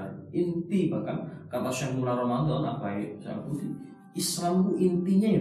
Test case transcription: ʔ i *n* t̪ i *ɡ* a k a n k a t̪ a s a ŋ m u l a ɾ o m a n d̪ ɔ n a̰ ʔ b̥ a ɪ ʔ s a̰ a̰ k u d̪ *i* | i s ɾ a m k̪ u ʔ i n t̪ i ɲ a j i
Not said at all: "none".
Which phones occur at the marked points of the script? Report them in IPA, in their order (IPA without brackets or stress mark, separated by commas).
n, b, i